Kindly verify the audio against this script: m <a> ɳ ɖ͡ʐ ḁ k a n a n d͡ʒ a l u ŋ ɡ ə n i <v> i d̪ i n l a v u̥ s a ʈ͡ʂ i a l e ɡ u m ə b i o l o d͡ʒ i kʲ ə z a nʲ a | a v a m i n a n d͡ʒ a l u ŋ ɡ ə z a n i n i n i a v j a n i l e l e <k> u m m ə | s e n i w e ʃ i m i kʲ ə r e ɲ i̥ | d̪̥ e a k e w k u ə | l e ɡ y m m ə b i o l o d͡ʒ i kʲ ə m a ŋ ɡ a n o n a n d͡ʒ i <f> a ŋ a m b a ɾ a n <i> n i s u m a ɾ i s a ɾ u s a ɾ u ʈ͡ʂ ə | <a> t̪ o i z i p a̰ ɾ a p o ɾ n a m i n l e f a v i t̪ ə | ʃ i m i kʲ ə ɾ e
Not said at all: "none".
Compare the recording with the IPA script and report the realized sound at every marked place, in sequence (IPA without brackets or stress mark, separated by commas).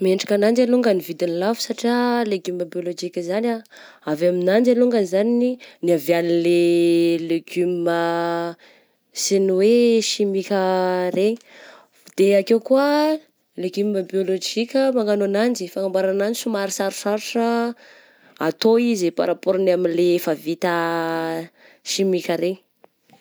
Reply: e, v, ɡ, f, a, a